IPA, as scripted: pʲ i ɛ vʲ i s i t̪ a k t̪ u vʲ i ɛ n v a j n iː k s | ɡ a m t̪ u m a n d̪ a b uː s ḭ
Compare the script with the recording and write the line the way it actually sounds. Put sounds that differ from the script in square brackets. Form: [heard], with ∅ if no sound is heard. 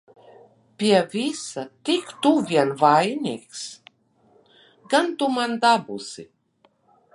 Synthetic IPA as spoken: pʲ i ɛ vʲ i s [a] t̪ [i] k t̪ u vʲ i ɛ n v a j n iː k s | ɡ a [n] t̪ u m a n d̪ a b [u] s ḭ